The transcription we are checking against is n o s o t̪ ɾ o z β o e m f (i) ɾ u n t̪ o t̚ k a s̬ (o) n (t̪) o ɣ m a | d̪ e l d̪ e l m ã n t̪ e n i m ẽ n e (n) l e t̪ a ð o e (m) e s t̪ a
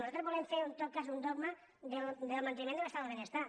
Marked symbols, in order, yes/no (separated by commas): no, no, no, no, no